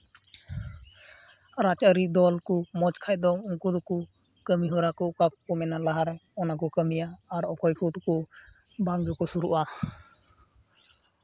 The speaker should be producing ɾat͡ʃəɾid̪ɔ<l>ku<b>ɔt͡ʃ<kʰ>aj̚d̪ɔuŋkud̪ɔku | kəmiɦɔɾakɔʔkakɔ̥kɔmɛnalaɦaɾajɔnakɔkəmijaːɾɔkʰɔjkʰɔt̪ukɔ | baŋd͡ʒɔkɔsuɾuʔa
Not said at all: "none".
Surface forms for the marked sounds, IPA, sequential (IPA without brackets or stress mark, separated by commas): l, m, kʰ